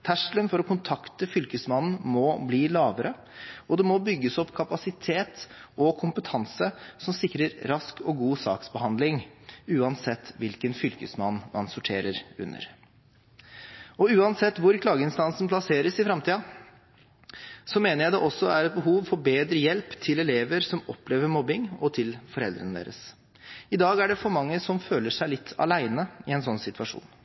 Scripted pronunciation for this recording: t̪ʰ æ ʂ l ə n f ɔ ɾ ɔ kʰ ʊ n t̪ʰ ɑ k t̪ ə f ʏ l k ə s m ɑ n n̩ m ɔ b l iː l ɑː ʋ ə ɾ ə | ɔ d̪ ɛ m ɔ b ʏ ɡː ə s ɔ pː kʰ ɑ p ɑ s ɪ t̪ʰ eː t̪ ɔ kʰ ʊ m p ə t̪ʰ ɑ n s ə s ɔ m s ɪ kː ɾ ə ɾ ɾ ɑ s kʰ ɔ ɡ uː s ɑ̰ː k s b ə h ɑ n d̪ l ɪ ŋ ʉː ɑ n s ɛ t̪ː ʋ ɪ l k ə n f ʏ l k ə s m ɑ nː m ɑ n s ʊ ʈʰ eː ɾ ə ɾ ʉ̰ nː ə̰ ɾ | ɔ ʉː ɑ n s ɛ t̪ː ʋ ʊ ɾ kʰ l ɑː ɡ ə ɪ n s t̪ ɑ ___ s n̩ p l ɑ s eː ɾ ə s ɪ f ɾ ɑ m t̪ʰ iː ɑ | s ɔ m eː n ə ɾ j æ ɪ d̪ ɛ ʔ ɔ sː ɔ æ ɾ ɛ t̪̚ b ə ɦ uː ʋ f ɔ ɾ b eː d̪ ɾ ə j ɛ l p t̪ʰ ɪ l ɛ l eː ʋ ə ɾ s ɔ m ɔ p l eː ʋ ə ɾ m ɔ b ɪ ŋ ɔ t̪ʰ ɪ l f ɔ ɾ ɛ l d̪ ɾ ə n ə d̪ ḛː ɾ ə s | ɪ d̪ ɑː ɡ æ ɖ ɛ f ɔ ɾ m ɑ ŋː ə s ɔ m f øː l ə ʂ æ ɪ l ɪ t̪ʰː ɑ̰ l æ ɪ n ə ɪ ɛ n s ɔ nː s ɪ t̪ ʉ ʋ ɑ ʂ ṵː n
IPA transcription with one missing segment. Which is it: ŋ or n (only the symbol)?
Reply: n